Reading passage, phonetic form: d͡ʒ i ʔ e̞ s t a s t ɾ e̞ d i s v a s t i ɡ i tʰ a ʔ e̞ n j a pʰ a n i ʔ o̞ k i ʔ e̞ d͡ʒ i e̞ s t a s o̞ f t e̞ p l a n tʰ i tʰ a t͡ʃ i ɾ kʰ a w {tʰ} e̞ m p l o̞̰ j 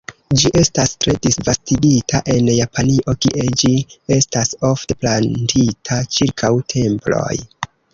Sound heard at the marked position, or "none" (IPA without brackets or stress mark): tʰ